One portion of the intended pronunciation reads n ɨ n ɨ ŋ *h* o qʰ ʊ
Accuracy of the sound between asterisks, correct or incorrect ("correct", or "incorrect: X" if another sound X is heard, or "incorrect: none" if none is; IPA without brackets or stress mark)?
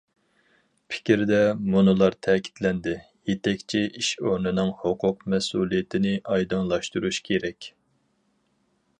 correct